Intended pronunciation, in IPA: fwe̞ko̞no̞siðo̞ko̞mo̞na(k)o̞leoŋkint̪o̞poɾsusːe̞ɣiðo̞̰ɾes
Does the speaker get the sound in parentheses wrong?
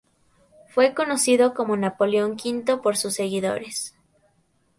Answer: yes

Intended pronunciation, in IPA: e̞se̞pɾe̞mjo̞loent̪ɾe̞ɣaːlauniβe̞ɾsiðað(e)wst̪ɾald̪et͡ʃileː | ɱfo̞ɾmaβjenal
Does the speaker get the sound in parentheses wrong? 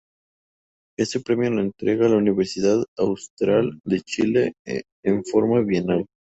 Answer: yes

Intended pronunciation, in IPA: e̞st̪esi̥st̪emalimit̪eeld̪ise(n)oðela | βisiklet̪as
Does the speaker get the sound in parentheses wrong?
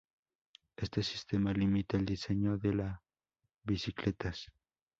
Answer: yes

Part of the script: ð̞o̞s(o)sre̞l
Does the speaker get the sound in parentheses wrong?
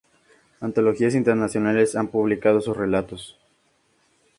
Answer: yes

